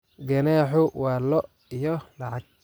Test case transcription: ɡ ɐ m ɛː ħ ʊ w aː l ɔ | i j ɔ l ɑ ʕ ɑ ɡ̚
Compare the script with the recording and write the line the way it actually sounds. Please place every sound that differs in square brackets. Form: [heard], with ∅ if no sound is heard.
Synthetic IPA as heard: ɡ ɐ [n] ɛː ħ ʊ w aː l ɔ | i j ɔ l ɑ ʕ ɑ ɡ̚